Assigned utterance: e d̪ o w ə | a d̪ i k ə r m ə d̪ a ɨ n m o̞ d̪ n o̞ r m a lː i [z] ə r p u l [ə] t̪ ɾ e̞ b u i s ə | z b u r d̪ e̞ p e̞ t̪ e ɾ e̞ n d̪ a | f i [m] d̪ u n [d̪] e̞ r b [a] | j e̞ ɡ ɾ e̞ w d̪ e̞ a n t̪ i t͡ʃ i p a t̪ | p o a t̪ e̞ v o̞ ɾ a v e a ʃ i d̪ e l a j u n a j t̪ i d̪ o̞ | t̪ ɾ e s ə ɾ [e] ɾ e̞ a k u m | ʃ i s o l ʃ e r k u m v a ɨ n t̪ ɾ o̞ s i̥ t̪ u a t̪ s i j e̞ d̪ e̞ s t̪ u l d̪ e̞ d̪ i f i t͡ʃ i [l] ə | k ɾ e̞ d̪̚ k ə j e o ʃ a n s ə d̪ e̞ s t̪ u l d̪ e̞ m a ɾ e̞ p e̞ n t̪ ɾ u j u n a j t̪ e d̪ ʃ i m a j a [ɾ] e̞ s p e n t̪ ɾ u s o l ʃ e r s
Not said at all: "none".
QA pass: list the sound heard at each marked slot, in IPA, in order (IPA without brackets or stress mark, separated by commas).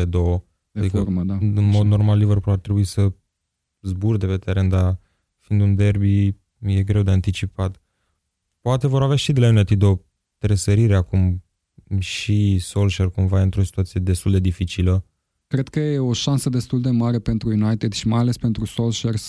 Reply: v, a, n, d̪, i, i, l, l